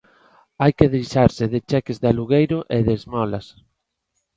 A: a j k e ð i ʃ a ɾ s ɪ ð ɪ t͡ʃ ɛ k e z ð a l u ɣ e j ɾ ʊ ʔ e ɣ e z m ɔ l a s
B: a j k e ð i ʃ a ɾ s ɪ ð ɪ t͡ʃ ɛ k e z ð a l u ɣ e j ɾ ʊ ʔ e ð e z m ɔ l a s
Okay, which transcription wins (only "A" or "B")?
B